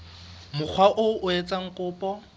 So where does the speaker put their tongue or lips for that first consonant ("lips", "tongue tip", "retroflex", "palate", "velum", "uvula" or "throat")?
lips